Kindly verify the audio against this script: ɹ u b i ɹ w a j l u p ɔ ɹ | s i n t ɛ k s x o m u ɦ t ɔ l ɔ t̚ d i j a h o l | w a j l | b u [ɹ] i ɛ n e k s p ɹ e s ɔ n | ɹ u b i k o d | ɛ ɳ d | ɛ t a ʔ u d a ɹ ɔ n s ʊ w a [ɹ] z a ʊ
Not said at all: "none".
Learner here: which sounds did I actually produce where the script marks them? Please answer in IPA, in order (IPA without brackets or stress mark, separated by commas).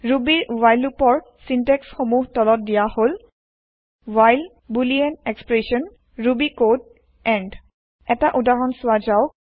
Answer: l, none